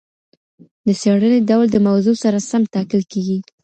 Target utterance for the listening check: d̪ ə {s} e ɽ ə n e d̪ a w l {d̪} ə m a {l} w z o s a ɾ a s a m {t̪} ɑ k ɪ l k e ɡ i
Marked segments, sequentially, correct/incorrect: correct, correct, incorrect: none, correct

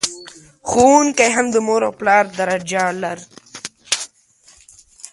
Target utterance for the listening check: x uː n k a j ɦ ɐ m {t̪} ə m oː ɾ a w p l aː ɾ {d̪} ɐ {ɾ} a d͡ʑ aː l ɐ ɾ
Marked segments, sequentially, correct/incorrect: incorrect: d̪, correct, correct

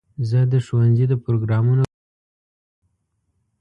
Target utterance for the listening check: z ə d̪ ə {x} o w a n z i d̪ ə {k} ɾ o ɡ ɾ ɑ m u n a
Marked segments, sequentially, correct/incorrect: incorrect: ʃ, incorrect: p

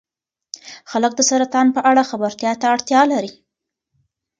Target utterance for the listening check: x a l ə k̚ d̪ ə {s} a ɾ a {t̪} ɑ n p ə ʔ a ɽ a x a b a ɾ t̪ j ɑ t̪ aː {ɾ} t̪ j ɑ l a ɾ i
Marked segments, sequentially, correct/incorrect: correct, correct, incorrect: ɽ

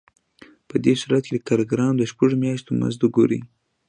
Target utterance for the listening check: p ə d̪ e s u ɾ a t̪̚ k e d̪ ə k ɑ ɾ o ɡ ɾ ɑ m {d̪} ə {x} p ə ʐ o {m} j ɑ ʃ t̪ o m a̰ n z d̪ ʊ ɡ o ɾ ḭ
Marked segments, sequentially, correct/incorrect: correct, incorrect: ʃ, correct

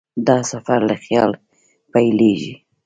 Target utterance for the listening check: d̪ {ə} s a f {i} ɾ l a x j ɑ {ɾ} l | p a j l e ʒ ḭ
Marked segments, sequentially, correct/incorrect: incorrect: ɑ, incorrect: a, incorrect: none

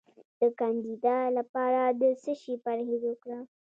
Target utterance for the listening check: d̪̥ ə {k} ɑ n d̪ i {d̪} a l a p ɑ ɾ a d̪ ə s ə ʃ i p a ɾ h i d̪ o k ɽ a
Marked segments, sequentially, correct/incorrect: correct, correct

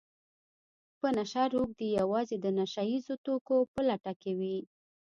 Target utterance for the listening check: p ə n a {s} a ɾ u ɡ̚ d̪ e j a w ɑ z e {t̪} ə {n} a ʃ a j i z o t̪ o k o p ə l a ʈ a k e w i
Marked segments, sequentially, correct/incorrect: incorrect: ʃ, incorrect: d̪, correct

